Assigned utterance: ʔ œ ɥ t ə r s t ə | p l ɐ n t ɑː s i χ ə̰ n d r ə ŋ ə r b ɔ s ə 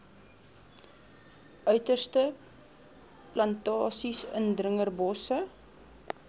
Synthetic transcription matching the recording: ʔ œ ɥ t ə r s t ə | p l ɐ n t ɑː s i s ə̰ n d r ə ŋ ə r b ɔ s ə